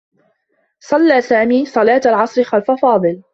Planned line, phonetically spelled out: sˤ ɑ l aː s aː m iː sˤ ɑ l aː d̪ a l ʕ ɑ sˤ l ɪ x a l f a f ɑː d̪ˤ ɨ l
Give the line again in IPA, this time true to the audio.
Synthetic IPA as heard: sˤ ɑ lː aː s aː m iː sˤ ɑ l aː t̪ a l ʕ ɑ sˤ ɾ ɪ x a l f a f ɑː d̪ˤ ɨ l

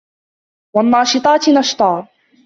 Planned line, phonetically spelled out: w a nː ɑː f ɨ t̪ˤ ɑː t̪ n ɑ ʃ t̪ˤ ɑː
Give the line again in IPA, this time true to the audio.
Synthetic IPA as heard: w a nː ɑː ʃ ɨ t̪ˤ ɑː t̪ n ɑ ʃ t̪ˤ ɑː

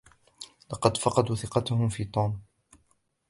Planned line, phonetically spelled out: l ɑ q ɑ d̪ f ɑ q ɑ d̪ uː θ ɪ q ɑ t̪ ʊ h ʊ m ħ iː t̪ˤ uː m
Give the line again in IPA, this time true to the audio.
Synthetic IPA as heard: l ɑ q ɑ d̪ f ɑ q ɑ d̪ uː θ ɪ q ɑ t̪ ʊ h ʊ m f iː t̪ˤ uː m

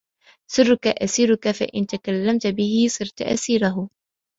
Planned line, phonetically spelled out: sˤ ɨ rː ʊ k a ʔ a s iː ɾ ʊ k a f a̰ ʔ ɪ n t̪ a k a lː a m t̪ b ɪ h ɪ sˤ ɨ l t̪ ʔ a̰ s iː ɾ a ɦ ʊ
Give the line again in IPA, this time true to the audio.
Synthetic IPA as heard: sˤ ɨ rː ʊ k a ʔ a s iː ɾ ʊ k a f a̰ ʔ ɪ n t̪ a k a lː a m t̪ b ɪ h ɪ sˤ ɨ ɾ t̪ ʔ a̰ s iː ɾ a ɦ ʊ

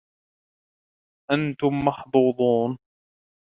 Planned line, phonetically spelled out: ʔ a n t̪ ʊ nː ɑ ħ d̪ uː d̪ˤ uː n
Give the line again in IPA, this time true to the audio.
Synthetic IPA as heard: ʔ a n t̪ ʊ mː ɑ ħ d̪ uː d̪ˤ uː n

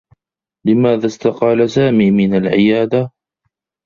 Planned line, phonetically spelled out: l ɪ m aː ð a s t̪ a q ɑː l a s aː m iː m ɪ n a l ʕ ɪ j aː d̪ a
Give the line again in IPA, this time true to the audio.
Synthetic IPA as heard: l ɪ m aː ð a s t̪ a q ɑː l a s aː m iː m ɪ n a l ʕ ɪ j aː d̪ a

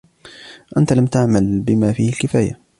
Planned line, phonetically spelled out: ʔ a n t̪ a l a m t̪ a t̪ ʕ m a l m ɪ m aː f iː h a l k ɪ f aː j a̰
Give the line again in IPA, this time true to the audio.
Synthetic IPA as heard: ʔ a n t̪ a l a m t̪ a ʕ m a l b ɪ m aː f iː h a l k ɪ f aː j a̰

